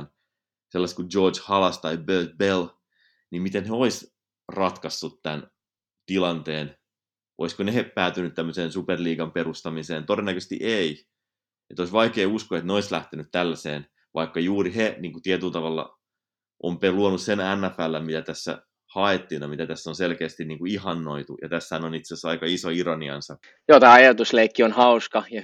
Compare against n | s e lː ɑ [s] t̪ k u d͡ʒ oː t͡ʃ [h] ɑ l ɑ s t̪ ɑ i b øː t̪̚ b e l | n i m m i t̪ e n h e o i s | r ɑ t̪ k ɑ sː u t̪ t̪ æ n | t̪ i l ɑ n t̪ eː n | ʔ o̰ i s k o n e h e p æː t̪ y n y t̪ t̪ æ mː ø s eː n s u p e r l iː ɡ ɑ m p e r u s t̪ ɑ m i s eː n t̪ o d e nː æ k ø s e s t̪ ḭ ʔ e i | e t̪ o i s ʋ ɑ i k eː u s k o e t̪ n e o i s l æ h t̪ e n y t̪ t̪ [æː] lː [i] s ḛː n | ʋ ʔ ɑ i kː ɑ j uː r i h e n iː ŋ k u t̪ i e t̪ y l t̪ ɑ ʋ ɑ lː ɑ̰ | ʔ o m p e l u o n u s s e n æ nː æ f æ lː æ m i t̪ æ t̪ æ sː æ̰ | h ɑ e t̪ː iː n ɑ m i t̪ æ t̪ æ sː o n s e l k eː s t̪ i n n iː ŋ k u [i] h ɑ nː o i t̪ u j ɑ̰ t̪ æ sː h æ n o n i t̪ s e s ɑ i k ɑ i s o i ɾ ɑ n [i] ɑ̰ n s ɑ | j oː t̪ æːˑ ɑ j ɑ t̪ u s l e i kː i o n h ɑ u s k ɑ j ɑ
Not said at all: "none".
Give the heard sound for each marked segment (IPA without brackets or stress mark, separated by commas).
s, h, æ, æ, i, i